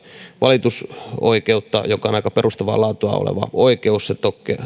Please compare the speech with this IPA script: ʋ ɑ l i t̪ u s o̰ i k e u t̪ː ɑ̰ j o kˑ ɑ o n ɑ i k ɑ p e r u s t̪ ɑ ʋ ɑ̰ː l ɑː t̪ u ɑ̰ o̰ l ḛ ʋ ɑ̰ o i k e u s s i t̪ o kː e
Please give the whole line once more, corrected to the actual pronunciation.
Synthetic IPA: ʋ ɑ l i t̪ u s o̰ i k e u t̪ː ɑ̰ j o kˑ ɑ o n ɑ i k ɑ p e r u s t̪ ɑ ʋ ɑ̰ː l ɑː t̪ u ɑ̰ o̰ l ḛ ʋ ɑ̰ o i k e u s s e t̪ o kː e

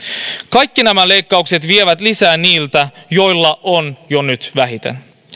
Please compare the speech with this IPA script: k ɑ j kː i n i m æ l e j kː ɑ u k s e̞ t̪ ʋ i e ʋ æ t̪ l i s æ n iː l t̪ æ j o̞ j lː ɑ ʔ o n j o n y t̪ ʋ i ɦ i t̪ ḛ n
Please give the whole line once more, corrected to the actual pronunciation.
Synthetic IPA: k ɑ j kː i n æ m æ l e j kː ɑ u k s e̞ t̪ ʋ i e ʋ æ t̪ l i s æː n iː l t̪ æ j o̞ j lː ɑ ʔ o n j o n y t̪ ʋ æ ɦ i t̪ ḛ n

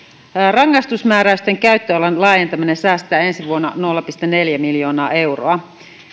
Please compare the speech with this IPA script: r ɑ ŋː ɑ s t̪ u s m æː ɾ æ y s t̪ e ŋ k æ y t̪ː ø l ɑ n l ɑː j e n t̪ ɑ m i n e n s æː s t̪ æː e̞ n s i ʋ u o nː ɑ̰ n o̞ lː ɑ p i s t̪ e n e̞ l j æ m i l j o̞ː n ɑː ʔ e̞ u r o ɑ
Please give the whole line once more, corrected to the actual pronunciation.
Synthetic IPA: r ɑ ŋː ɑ s t̪ u s m æː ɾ æ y s t̪ e ŋ k æ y t̪ː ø l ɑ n l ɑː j e n t̪ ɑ m i n e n s æː s t̪ æː e̞ n s i ʋ u o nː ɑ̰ n o̞ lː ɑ p i s t̪ e n e̞ l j æ m i l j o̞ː n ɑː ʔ e̞ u r o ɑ

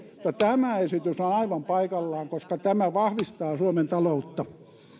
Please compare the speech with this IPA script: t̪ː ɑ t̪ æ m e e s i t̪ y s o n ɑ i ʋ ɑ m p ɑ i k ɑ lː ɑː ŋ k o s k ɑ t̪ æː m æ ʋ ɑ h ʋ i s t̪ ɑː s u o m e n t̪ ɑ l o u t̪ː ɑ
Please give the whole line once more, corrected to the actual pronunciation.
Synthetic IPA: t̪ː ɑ t̪ æ m æ e s i t̪ y s o n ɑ i ʋ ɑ m p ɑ i k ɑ lː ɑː ŋ k o s k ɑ t̪ æ m æ ʋ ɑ h ʋ i s t̪ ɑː s u o m e n t̪ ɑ l o u t̪ː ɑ

